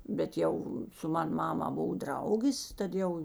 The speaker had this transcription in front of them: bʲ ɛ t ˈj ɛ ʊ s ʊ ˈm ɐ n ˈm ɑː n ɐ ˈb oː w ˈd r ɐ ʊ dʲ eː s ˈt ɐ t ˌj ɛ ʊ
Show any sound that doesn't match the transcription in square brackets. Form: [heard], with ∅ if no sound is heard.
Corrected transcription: bʲ ɛ t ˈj ɛ ʊ s ʊ ˈm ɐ n ˈm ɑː [m] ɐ ˈb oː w ˈd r ɐ ʊ [ɡʲ] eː s ˈt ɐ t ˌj ɛ ʊ

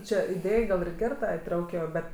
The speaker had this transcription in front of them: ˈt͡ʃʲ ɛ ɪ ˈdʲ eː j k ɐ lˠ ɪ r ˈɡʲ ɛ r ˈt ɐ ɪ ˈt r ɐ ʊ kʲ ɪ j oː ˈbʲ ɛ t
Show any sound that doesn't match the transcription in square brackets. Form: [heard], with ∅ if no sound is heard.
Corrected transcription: ˈt͡ʃʲ ɛ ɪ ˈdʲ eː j [ɡ] ɐ lˠ ɪ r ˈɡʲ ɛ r ˈt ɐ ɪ ˈt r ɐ ʊ kʲ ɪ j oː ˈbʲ ɛ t

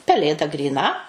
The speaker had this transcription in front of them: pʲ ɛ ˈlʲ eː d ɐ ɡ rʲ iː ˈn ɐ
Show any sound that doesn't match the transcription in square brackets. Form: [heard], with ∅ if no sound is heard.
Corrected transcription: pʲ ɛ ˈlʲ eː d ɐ ɡ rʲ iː ˈn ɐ

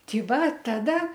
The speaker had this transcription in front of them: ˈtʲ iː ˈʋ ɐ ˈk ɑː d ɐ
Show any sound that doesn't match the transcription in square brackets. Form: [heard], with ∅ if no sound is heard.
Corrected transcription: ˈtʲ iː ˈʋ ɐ [ˈt] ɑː d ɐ

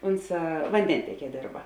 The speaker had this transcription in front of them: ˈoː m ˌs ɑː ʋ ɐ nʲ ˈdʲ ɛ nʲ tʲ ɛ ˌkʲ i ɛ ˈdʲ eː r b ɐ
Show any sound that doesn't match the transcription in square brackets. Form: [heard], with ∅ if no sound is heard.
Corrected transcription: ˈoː [n] ˌs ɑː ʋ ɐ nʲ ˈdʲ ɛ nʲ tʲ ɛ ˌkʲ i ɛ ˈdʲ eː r b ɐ

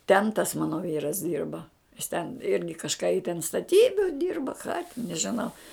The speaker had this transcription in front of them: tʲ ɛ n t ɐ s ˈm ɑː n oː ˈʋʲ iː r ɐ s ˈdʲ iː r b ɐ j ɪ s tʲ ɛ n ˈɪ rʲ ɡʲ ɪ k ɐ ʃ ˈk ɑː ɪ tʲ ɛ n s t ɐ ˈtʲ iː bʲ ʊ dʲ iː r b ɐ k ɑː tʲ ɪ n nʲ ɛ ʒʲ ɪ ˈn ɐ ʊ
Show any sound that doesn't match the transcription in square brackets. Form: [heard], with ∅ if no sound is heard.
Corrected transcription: tʲ ɛ n t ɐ s ˈm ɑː n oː ˈʋʲ iː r ɐ s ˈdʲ iː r b ɐ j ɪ s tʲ ɛ n ˈɪ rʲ ɡʲ ɪ k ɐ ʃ ˈk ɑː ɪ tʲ ɛ n s t ɐ ˈtʲ iː bʲ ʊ dʲ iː r b ɐ k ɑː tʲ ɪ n nʲ ɛ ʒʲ ɪ ˈn ɐ ʊ

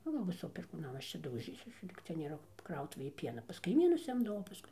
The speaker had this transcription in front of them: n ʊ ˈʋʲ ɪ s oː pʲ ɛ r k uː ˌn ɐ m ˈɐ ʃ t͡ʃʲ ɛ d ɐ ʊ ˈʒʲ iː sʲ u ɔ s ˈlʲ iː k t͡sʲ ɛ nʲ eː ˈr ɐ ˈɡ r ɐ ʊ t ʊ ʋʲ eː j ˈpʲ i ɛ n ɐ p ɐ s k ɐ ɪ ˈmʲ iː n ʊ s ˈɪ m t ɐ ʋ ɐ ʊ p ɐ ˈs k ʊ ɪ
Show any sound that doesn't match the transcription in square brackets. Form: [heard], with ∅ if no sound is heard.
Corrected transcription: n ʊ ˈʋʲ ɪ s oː pʲ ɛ r k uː ˌn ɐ m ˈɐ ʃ t͡ʃʲ ɛ d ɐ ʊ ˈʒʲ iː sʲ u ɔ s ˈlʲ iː k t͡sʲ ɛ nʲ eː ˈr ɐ [ˈk] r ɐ ʊ t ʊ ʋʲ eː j ˈpʲ i ɛ n ɐ p ɐ s k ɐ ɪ ˈmʲ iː n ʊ s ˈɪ m [d] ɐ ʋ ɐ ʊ p ɐ ˈs k ʊ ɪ

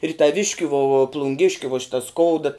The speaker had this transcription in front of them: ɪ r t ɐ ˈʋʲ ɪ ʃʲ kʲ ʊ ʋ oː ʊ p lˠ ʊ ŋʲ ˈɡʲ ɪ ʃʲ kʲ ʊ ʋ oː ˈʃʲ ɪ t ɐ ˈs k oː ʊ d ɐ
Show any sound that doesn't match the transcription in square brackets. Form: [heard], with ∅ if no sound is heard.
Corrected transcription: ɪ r t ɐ ˈʋʲ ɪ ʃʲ kʲ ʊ ʋ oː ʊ p lˠ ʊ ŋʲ ˈɡʲ ɪ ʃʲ kʲ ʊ ʋ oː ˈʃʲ ɪ t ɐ ˈs k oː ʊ d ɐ

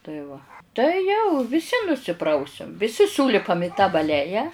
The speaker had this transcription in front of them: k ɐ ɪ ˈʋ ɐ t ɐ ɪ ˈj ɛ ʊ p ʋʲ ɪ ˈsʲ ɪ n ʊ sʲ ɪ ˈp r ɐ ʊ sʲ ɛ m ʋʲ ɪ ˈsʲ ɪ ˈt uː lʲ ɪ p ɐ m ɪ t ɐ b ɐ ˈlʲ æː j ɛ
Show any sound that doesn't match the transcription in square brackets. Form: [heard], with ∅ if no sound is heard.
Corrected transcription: [t] ɐ ɪ ˈʋ ɐ t ɐ ɪ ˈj ɛ ʊ [∅] ʋʲ ɪ ˈsʲ ɪ n ʊ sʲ ɪ ˈp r ɐ ʊ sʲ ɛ m ʋʲ ɪ ˈsʲ ɪ [ˈs] uː lʲ ɪ p ɐ m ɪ t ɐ b ɐ ˈlʲ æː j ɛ

